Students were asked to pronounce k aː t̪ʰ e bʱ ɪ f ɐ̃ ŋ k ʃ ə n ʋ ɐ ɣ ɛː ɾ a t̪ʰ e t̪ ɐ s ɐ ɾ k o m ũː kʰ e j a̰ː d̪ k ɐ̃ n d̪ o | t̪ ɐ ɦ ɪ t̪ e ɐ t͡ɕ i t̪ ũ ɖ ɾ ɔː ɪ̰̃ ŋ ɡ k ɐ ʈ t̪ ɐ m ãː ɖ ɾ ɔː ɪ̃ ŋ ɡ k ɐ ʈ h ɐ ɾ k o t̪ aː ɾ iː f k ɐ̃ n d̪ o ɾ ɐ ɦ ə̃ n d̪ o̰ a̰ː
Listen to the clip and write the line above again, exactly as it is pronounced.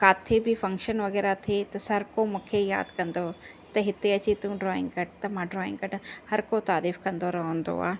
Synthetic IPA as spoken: k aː t̪ʰ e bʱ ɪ f ɐ̃ ŋ k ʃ ə n ʋ ɐ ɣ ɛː ɾ a t̪ʰ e t̪ ɐ s ɐ ɾ k o m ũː kʰ e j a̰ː d̪ k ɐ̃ n d̪ o | t̪ ɐ ɦ ɪ t̪ e ɐ t͡ɕ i t̪ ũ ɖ ɾ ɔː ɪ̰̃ ŋ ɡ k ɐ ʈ t̪ ɐ m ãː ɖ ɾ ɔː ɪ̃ ŋ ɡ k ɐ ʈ h ɐ ɾ k o t̪ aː ɾ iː f k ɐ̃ n d̪ o ɾ ɐ ɦ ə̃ n d̪ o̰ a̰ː